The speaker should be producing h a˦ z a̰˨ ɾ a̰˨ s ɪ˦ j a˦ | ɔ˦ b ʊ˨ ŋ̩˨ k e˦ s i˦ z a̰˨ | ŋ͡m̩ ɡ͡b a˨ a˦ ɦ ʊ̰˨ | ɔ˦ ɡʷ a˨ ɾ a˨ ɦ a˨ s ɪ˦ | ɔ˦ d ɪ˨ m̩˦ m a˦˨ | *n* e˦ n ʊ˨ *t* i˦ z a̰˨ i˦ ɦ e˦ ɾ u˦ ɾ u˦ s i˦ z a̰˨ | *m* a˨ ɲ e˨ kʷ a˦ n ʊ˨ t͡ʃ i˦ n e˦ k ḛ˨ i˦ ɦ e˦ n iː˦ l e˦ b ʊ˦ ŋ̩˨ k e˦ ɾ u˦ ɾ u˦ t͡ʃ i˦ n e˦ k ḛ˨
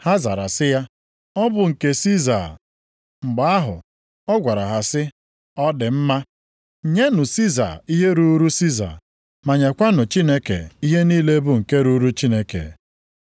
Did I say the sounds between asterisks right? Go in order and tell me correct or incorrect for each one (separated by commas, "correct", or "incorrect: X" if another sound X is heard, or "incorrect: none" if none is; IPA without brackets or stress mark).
incorrect: ɲ, incorrect: s, correct